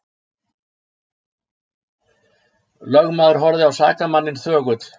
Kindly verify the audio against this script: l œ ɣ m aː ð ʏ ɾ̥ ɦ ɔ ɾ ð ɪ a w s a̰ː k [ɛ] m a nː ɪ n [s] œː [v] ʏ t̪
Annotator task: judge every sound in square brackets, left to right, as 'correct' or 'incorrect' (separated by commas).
incorrect, incorrect, incorrect